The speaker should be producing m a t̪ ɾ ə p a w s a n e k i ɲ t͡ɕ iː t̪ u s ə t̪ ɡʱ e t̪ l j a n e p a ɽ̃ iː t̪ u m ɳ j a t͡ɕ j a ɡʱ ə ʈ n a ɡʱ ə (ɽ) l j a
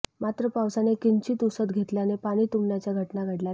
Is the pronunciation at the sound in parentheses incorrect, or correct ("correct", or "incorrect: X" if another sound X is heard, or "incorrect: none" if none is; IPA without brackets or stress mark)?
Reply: correct